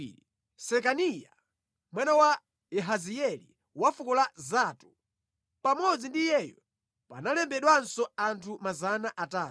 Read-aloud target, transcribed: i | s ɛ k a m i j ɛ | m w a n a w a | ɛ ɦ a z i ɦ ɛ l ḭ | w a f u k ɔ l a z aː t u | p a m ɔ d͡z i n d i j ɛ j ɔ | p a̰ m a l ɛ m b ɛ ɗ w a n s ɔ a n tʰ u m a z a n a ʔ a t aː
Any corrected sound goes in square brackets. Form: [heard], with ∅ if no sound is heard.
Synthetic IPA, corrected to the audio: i | s ɛ k a [n] i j [a] | m w a n a w a | ɛ ɦ a z i [∅] ɛ l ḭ | w a f u k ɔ l a z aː t u | p a m ɔ d͡z i n d i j ɛ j ɔ | p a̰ [n] a l ɛ m b ɛ ɗ w a n s ɔ a n tʰ u m a z a n a ʔ a t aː